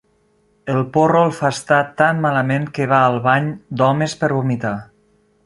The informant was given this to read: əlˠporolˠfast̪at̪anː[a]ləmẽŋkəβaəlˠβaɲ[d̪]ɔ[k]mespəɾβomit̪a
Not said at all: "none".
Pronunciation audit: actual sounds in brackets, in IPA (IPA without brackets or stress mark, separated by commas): a, d̪, none